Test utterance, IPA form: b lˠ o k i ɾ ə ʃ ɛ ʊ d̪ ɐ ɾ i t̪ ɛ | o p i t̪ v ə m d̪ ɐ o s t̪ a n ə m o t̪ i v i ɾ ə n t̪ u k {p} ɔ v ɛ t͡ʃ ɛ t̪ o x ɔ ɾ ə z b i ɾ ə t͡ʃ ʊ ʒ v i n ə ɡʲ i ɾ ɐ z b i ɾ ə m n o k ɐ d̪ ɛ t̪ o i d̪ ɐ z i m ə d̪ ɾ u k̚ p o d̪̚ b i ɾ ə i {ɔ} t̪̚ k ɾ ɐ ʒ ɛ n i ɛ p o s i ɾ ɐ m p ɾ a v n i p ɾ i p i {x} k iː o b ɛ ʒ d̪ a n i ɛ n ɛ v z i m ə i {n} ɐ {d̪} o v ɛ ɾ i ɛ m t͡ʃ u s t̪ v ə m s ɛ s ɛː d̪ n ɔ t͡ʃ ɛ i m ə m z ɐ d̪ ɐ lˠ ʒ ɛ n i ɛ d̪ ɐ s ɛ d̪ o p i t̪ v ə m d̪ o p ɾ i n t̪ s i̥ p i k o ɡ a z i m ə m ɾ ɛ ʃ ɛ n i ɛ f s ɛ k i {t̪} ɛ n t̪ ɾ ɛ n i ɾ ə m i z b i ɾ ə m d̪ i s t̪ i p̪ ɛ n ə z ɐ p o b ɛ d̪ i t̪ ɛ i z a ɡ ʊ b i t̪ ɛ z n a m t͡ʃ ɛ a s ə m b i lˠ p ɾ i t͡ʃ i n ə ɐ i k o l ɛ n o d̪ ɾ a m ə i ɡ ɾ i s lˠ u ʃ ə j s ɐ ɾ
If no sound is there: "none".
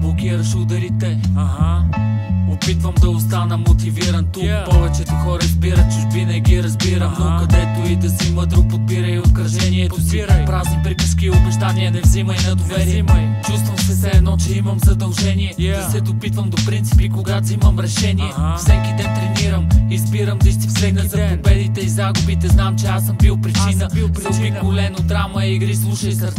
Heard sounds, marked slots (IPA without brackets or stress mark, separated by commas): p, o, s, n, d̪, d̪